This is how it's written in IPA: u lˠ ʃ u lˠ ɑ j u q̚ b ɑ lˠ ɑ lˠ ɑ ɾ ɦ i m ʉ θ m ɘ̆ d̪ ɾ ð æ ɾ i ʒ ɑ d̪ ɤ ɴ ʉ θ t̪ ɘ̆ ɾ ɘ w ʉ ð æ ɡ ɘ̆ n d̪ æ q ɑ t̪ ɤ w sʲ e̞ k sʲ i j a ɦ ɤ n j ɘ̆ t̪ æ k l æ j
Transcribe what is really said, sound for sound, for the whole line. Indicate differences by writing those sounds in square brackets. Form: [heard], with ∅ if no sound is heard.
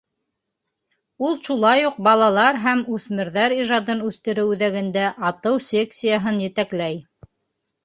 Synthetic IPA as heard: u lˠ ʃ u lˠ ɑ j u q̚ b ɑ lˠ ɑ lˠ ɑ ɾ ɦ [æ] m ʉ θ m ɘ̆ [∅] ɾ ð æ ɾ i ʒ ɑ d̪ ɤ [n] ʉ θ t̪ ɘ̆ ɾ ɘ w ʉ ð æ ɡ ɘ̆ n d̪ æ [ʔ] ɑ t̪ ɤ w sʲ e̞ k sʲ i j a ɦ ɤ n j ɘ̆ t̪ æ k l æ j

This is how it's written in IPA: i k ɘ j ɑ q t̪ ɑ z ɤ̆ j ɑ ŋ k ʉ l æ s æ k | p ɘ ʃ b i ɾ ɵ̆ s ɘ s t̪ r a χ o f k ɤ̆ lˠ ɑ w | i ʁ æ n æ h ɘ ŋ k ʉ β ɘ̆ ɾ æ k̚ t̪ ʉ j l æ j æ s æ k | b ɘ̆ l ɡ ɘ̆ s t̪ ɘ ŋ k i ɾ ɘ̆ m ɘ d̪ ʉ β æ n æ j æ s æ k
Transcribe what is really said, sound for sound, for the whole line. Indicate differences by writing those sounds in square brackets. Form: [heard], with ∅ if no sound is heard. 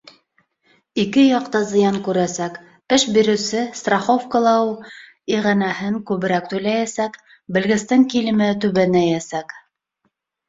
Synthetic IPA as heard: i k ɘ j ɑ q t̪ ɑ z ɤ̆ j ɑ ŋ k ʉ [ɾ] æ s æ k | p ɘ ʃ b i ɾ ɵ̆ s ɘ s t̪ r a χ o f k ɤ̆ lˠ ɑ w | i ʁ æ n æ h ɘ ŋ k ʉ β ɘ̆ ɾ æ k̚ t̪ ʉ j l æ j æ s æ k | b ɘ̆ l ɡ ɘ̆ s t̪ ɘ ŋ k i [l] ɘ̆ m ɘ [t̪] ʉ β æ n æ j æ s æ k

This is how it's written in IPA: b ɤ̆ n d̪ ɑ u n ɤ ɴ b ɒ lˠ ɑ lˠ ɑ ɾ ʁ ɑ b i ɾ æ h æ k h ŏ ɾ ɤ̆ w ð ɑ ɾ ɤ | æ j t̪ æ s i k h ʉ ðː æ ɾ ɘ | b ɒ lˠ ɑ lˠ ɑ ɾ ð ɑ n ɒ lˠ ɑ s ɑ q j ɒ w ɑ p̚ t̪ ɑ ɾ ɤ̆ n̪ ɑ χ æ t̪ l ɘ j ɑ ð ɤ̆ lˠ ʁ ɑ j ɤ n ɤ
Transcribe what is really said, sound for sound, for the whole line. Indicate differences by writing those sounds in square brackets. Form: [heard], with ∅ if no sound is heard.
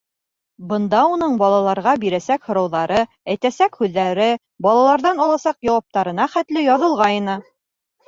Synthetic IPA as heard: b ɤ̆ n d̪ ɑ u n ɤ ɴ b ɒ lˠ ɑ lˠ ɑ ɾ ʁ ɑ b i ɾ æ [s] æ k h ŏ ɾ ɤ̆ w ð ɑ ɾ ɤ | æ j t̪ æ s [æ] k h ʉ ðː æ ɾ ɘ | b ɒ lˠ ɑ lˠ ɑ ɾ ð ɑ n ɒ lˠ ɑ s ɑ q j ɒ w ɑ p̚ t̪ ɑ ɾ ɤ̆ n̪ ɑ χ æ t̪ l ɘ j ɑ ð ɤ̆ lˠ ʁ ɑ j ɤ n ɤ

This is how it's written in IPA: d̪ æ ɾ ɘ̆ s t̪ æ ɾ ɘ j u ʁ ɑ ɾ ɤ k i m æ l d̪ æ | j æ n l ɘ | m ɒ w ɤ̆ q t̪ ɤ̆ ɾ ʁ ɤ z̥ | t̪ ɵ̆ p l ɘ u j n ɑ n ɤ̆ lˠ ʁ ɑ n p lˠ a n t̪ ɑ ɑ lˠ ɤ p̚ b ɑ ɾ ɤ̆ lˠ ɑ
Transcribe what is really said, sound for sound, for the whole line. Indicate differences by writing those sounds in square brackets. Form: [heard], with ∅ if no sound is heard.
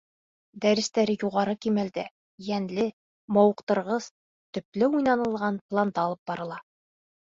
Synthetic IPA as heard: d̪ æ ɾ ɘ̆ s t̪ æ ɾ ɘ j u ʁ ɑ ɾ ɤ k i m æ l d̪ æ | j æ n l ɘ | m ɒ w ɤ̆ q t̪ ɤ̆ ɾ ʁ ɤ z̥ | t̪ ɵ̆ p l ɘ u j n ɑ n ɤ̆ lˠ ʁ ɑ n p lˠ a n [d̪] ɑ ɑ lˠ ɤ p̚ b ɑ ɾ ɤ̆ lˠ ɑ

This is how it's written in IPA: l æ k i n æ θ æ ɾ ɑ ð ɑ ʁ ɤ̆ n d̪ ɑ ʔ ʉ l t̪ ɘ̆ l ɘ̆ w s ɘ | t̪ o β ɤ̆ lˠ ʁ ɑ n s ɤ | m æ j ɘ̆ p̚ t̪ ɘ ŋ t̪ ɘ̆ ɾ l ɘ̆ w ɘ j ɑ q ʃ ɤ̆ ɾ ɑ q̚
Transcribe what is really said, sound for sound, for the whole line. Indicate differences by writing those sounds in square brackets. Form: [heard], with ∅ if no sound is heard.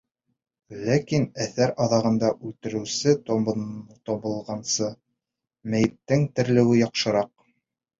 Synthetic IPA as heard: l æ k i n æ θ æ ɾ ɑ ð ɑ ʁ ɤ̆ n d̪ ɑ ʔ ʉ l t̪ ɘ̆ [ɾ] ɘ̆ w s ɘ | t̪ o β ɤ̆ lˠ ʁ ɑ n s ɤ | m æ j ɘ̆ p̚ t̪ ɘ ŋ t̪ ɘ̆ ɾ l ɘ̆ w ɘ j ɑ q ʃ ɤ̆ ɾ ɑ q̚

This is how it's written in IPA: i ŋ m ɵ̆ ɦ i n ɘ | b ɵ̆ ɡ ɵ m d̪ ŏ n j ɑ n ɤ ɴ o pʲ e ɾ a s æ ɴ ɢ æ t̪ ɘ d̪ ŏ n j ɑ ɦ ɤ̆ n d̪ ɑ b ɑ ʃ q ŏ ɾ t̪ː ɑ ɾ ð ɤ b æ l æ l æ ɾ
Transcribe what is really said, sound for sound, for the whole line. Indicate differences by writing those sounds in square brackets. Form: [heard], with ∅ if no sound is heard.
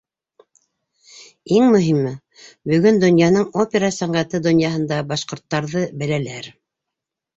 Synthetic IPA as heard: i ŋ m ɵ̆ ɦ i [m] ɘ | b ɵ̆ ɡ ɵ [n] d̪ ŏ n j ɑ n ɤ ɴ o pʲ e ɾ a s æ ɴ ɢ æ t̪ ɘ d̪ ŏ n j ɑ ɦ ɤ̆ n d̪ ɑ b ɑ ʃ q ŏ ɾ t̪ː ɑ ɾ ð ɤ b æ l æ l æ ɾ

